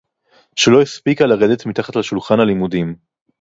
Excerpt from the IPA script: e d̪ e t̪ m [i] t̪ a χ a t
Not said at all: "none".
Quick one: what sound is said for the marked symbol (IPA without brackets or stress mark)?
i